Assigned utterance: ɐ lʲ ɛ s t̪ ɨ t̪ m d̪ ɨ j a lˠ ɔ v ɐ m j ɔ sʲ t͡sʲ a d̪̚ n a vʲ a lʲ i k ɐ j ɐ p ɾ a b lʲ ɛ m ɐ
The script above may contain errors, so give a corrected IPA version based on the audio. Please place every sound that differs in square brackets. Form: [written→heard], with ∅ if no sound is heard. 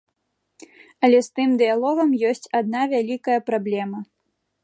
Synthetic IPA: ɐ lʲ ɛ s t̪ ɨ [t̪→∅] m d̪ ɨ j a lˠ ɔ [v→ɣ] ɐ m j ɔ sʲ t͡sʲ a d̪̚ n a vʲ a lʲ i k ɐ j ɐ p ɾ a b lʲ ɛ m ɐ